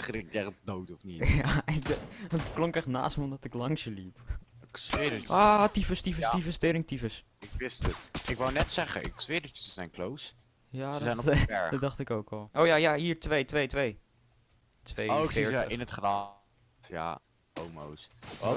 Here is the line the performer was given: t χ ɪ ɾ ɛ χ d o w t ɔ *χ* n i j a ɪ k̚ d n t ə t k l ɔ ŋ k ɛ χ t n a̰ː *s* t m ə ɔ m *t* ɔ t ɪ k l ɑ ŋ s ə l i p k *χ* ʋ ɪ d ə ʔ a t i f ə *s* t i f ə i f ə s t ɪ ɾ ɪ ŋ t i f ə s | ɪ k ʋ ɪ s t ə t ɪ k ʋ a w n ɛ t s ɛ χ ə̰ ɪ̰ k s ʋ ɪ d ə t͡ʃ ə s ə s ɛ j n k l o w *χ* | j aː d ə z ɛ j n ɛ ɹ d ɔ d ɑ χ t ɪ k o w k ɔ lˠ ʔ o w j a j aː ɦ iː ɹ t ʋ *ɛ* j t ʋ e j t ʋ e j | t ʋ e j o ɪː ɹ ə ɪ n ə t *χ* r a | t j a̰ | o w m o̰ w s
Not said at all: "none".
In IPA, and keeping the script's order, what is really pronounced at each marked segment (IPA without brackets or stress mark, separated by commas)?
f, s, d, s, s, s, e, χ